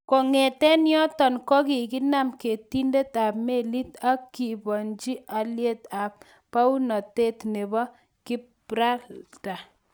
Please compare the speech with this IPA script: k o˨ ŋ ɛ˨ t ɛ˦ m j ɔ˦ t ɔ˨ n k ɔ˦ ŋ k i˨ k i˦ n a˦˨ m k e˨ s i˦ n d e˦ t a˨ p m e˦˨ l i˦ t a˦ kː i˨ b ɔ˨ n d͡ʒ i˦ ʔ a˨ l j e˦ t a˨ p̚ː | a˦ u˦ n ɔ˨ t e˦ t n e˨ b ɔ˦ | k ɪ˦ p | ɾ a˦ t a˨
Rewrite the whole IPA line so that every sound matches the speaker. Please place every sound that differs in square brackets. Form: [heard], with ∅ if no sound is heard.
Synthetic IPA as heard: k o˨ ŋ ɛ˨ t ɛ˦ [n] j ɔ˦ t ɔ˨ n k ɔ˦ [∅] k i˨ k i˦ n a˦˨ m k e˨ [t] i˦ n d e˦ t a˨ p m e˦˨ l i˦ t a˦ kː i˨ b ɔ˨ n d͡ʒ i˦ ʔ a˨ l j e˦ t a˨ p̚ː | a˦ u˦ n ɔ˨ t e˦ t n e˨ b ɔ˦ | k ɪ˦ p | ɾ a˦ t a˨

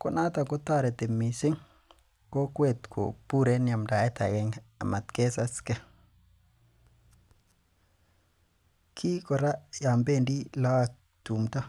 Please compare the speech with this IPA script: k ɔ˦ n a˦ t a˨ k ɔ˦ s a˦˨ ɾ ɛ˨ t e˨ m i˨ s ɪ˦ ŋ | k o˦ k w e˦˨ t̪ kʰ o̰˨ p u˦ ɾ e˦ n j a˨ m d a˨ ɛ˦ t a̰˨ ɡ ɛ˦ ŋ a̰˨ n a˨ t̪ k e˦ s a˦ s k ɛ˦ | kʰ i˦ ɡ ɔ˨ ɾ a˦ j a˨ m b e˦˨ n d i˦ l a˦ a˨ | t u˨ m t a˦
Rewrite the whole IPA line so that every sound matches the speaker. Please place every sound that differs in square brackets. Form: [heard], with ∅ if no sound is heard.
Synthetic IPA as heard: k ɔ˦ n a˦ t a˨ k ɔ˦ [t] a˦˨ ɾ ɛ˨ t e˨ m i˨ s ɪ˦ ŋ | k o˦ k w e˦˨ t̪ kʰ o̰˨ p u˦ ɾ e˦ n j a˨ m d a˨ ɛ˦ t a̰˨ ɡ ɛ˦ ŋ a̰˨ [m] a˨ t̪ k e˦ s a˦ s k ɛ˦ | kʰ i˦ [k] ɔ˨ ɾ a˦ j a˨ m b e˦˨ n d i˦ l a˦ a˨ | t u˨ m t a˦

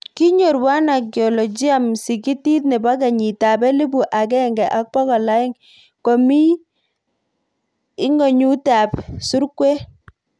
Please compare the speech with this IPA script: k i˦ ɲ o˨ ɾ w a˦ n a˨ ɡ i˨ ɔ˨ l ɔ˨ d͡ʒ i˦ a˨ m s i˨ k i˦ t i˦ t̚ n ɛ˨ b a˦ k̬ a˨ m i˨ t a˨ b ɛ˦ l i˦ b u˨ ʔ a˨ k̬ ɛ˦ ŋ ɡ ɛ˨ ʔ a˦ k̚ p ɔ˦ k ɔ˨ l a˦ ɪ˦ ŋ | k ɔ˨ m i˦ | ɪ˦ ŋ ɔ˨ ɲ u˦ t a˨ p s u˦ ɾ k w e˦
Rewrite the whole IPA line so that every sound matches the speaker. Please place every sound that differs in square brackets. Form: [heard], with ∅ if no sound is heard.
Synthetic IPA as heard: k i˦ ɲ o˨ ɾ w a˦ n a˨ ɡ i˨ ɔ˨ l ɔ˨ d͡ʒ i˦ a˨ m s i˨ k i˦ t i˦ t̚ n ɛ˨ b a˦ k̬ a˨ [ɲ] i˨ t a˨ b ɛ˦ l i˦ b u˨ ʔ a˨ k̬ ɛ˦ ŋ ɡ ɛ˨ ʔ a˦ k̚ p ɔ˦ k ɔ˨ l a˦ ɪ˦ ŋ | k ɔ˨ m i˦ | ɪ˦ ŋ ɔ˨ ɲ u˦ t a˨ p s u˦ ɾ k w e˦

